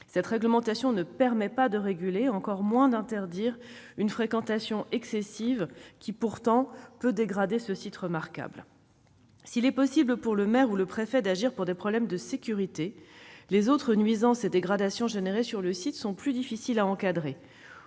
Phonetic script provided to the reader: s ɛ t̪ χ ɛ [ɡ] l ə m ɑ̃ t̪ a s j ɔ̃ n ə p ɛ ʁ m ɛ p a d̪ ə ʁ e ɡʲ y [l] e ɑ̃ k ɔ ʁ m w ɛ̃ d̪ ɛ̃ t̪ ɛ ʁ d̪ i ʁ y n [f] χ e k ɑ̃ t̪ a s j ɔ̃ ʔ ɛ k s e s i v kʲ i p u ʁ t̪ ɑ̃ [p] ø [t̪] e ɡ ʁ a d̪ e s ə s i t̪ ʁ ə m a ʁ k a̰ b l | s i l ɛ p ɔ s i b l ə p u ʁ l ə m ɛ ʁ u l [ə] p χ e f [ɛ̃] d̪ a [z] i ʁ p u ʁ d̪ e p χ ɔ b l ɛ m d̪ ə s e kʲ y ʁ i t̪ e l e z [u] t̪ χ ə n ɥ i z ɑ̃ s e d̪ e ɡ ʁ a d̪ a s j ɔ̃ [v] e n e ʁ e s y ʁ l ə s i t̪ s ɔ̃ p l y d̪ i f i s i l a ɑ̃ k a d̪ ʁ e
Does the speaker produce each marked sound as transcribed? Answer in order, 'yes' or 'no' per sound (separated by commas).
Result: yes, yes, yes, yes, no, yes, no, no, no, no